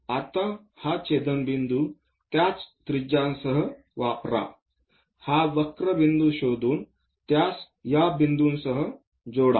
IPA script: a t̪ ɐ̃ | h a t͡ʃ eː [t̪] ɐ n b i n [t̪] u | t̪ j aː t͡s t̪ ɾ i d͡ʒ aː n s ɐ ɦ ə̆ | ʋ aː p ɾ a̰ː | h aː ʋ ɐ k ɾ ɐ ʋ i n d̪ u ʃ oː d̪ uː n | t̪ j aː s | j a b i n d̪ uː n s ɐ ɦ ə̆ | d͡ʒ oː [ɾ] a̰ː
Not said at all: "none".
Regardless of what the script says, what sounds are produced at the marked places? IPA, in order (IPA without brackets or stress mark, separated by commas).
d̪, d̪, ɽ